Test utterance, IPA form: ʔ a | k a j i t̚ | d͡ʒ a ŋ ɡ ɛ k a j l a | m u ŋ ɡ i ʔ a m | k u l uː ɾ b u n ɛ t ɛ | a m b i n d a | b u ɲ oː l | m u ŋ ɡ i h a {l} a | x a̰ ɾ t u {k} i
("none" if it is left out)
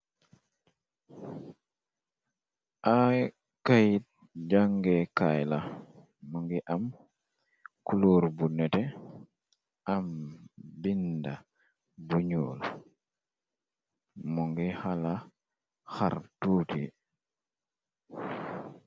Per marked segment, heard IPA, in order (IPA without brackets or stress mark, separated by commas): l, t